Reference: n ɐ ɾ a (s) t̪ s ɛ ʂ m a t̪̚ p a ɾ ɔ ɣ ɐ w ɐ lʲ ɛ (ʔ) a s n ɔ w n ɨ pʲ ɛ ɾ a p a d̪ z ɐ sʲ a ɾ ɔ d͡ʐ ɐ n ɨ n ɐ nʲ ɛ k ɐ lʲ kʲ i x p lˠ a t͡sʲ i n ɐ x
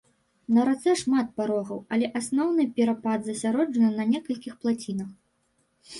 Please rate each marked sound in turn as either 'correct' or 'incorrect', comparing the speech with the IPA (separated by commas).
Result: incorrect, correct